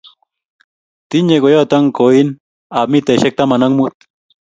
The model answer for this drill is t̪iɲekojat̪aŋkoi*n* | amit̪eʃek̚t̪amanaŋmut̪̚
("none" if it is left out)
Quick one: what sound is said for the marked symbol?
n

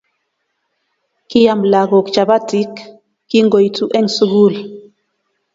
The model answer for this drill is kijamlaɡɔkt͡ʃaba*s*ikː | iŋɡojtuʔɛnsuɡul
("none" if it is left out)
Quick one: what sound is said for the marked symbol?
t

